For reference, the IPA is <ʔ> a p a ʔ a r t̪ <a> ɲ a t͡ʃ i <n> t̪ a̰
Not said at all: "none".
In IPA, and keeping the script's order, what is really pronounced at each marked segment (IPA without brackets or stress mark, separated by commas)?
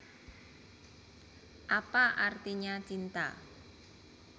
ʔ, i, n